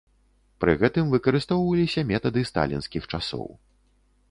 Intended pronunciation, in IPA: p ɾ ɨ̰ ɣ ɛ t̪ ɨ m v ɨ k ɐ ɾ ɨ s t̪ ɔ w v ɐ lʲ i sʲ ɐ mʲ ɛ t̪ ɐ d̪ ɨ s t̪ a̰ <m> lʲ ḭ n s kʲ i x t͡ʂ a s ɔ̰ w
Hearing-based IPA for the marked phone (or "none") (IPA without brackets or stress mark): none